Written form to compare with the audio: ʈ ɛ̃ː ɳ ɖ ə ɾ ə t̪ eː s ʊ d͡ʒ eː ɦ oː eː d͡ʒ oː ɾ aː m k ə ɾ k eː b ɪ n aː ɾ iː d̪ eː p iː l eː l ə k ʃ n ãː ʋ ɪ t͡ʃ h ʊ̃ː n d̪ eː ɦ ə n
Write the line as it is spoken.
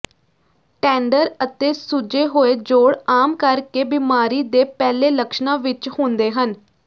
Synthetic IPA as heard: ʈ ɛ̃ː ɳ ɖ ə ɾ ə t̪ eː s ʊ d͡ʒ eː ɦ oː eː d͡ʒ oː ɽ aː m k ə ɾ k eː b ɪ m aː ɾ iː d̪ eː p ɛː l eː l ə k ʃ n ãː ʋ ɪ t͡ʃ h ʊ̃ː n d̪ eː ɦ ə n

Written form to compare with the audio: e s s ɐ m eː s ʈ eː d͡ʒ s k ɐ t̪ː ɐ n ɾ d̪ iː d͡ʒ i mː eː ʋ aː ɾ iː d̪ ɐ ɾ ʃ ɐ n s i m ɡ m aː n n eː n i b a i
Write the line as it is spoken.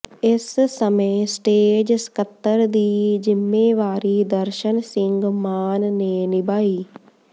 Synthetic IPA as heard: e s s ɐ m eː s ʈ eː d͡ʒ s k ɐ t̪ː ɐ ɾ d̪ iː d͡ʒ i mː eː ʋ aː ɾ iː d̪ ɐ ɾ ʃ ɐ n s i ŋ ɡ m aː n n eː n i b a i

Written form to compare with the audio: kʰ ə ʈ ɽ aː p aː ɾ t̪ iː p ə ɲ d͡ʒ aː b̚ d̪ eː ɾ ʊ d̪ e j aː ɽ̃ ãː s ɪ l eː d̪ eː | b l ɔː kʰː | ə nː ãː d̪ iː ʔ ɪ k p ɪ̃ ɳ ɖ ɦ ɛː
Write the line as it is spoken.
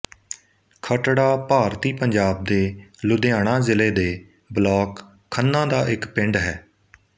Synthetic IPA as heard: kʰ ə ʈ ɽ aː p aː ɾ t̪ iː p ə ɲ d͡ʒ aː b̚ d̪ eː l ʊ d̪ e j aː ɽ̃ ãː z ɪ l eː d̪ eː | b l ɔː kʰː | ə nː ãː d̪ aː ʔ ɪ k p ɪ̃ ɳ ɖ ɦ ɛː

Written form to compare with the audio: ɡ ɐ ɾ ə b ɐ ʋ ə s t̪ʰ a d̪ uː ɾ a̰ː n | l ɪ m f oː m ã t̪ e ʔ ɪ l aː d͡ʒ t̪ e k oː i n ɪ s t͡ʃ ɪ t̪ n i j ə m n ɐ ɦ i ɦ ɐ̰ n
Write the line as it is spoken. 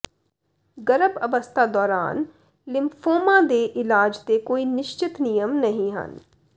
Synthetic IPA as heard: ɡ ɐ ɾ ə b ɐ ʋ ə s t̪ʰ a d̪ ɔː ɾ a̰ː n | l ɪ m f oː m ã d̪ e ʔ ɪ l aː d͡ʒ t̪ e k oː i n ɪ ʃ t͡ʃ ɪ t̪ n i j ə m n ɐ ɦ ĩ ɦ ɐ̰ n

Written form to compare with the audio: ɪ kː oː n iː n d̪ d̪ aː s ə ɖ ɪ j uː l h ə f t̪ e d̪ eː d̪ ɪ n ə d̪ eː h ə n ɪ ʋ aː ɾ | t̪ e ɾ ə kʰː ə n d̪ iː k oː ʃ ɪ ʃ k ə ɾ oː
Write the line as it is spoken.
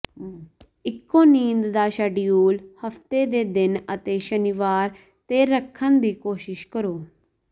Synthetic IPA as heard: ɪ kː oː n iː n d̪ d̪ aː ʃ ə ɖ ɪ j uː l h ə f t̪ e d̪ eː d̪ ɪ n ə t̪ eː ʃ ə n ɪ ʋ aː ɾ | t̪ e ɾ ə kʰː ə n d̪ iː k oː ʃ ɪ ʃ k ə ɾ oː

